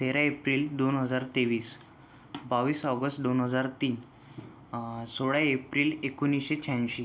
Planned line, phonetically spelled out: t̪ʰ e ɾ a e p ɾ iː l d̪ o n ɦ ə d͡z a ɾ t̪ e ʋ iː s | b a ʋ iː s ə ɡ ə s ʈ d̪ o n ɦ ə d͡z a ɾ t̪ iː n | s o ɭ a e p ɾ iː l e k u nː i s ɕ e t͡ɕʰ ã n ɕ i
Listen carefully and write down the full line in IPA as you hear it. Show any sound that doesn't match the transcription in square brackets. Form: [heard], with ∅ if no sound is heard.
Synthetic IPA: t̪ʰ e ɾ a e p ɾ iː l d̪ o n ɦ ə d͡z a ɾ t̪ e ʋ iː s | b a ʋ iː s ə ɡ ə s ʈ d̪ o n ɦ ə d͡z a ɾ t̪ iː n | s o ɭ a e p ɾ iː l e k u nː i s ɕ e t͡ɕʰ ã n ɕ i